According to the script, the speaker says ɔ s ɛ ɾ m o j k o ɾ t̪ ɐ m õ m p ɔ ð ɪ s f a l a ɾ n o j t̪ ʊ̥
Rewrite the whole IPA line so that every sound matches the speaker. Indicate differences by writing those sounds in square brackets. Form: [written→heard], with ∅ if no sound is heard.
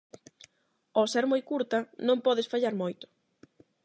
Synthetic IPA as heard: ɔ s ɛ ɾ m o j k [o→u] ɾ t̪ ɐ [m→n] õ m p ɔ ð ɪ s f a [l→ʎ] a ɾ [n→m] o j t̪ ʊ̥